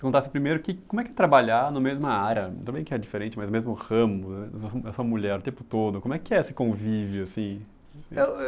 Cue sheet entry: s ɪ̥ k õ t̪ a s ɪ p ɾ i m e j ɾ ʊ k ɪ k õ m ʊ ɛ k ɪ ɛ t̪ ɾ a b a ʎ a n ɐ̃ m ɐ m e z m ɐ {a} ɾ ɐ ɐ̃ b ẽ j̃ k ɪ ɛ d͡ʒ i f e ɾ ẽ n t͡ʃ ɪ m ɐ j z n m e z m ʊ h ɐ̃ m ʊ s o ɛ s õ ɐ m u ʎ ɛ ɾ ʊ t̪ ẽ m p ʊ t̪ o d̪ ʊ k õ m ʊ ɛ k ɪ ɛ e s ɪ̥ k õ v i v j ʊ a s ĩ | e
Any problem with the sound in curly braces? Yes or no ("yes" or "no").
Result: no